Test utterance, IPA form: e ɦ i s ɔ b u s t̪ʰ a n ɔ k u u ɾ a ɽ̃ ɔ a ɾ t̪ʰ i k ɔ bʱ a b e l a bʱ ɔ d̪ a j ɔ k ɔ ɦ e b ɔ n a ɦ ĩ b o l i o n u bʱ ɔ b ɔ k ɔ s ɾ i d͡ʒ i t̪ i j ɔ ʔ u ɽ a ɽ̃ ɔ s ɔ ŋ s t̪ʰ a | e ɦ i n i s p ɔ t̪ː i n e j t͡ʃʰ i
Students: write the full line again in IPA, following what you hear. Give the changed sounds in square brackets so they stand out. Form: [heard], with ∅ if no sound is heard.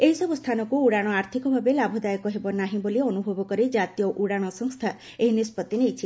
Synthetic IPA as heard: e ɦ i s ɔ b u s t̪ʰ a n ɔ k u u [ɽ] a ɽ̃ ɔ a ɾ t̪ʰ i k ɔ bʱ a b e l a bʱ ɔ d̪ a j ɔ k ɔ ɦ e b ɔ n a ɦ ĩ b o l i [ɔ] n u bʱ ɔ b ɔ k ɔ [∅] ɾ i d͡ʒ [a] t̪ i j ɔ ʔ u ɽ a ɽ̃ ɔ s ɔ ŋ s t̪ʰ a | e ɦ i n i s p ɔ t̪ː i n e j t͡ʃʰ i